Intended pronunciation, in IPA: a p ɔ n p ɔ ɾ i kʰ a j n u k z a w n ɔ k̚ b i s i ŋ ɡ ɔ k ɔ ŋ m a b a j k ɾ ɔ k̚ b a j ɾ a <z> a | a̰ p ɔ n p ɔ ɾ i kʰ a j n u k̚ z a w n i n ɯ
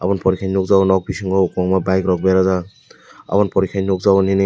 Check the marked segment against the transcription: correct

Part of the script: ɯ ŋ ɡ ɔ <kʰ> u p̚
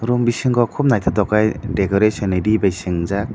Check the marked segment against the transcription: correct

